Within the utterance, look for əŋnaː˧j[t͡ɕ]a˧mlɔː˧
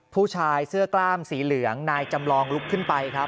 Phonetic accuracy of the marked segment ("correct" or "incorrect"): correct